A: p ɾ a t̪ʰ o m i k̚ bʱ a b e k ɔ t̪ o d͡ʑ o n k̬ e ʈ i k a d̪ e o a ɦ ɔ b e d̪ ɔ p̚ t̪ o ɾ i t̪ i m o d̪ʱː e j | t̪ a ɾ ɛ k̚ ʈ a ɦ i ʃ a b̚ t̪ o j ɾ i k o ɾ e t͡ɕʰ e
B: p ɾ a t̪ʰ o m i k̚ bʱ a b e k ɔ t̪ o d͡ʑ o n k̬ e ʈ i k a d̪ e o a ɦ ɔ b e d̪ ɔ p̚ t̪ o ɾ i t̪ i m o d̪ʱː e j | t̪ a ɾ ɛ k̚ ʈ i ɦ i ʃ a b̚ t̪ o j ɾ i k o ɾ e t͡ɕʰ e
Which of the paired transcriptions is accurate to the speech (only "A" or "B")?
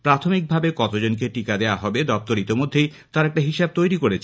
A